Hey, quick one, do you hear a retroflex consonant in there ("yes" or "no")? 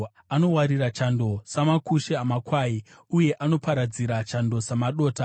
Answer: no